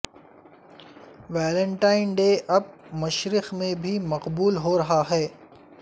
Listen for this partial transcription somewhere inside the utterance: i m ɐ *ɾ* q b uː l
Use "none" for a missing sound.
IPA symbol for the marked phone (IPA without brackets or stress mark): none